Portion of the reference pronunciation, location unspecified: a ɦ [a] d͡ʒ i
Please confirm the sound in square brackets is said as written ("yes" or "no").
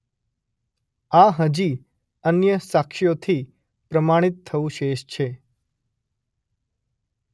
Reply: no